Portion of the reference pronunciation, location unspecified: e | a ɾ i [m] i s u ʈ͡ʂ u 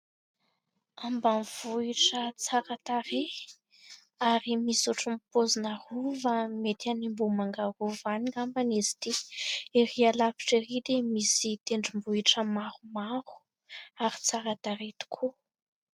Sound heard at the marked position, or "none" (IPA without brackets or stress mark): m